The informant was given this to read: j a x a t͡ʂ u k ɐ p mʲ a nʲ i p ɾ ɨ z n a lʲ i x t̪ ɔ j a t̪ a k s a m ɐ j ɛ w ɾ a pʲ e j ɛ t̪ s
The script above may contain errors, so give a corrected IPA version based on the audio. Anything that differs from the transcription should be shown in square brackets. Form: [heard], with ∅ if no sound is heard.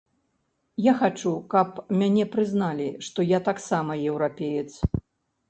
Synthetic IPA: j a x a t͡ʂ u k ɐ p mʲ a nʲ [ɛ] p ɾ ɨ z n a lʲ i [ʂ] t̪ ɔ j a t̪ a k s a m ɐ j ɛ w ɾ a pʲ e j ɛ t̪ s